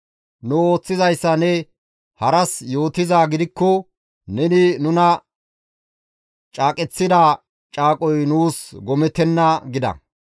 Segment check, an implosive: absent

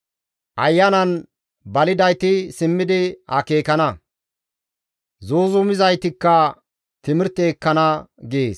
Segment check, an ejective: absent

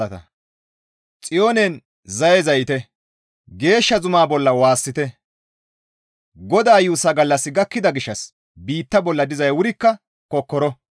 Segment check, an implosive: absent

